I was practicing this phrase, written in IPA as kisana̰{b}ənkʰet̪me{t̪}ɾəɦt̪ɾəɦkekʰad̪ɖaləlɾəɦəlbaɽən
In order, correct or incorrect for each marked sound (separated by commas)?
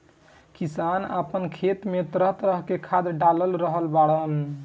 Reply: incorrect, correct